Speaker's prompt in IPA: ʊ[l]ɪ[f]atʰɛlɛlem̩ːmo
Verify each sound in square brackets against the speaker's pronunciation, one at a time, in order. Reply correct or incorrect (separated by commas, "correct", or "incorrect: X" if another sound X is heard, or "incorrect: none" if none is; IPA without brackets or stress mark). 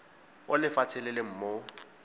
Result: correct, correct